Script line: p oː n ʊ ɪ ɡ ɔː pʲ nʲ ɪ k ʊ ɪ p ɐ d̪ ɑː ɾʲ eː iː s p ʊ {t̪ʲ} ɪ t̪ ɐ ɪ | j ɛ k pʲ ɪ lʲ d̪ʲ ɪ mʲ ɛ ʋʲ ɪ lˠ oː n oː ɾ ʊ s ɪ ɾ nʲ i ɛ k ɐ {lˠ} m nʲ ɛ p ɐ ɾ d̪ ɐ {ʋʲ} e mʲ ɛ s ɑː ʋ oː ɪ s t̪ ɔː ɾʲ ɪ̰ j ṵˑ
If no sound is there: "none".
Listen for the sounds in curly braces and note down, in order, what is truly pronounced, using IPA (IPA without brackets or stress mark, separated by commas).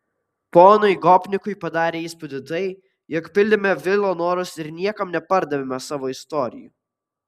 d̪ʲ, none, ʋʲ